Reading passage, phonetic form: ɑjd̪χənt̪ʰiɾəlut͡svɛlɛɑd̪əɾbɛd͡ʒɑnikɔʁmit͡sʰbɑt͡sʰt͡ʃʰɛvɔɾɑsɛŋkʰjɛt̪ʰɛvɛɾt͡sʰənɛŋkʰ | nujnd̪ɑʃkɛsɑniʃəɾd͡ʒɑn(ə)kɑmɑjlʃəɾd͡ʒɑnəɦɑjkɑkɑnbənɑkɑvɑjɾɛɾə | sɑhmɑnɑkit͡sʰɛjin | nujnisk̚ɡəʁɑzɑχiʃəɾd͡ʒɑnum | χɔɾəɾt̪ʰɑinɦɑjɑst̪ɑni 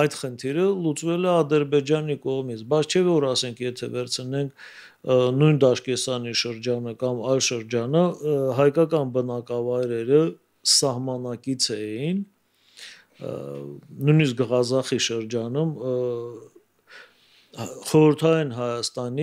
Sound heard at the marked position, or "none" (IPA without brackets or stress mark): ə